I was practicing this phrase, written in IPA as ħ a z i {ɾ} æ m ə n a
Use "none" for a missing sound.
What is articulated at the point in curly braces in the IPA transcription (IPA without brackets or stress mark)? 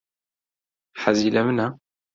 l